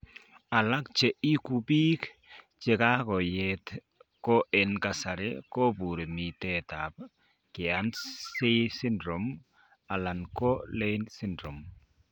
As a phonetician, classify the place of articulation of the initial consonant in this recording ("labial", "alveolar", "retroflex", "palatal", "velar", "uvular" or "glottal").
alveolar